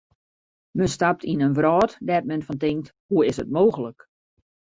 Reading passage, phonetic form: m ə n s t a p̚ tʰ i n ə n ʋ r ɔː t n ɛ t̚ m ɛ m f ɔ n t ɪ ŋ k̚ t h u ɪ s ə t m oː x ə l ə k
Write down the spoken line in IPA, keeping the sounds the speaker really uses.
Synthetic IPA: m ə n s t a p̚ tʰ i n ə n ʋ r ɔː t d ɛ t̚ m ɛ n f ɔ n t ɪ ŋ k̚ t h u ɪ s ə t m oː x ə l ə k